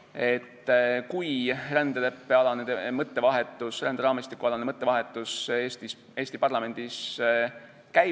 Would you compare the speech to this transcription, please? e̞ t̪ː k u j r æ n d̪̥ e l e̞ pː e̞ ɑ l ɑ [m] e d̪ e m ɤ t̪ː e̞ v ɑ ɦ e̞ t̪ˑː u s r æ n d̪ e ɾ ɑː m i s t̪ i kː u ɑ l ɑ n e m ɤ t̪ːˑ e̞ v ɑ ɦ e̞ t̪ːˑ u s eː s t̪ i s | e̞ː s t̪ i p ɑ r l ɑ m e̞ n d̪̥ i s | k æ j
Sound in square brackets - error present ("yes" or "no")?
yes